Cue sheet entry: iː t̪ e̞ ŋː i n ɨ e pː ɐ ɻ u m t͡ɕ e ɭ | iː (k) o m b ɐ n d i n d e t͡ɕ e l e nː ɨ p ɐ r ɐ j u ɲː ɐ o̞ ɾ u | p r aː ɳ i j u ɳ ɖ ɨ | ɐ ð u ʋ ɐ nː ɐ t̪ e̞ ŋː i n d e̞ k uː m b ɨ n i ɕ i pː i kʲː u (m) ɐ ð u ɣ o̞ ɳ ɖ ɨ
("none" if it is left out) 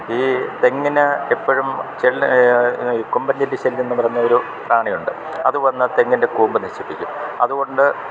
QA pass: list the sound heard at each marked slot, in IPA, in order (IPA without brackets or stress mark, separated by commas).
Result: k, m